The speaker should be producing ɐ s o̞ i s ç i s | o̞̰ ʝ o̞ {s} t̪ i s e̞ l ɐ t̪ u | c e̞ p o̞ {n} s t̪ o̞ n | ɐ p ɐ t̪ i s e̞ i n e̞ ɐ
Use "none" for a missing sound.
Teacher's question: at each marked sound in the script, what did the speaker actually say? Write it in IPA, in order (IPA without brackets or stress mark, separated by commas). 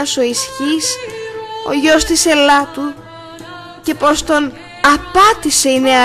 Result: s, none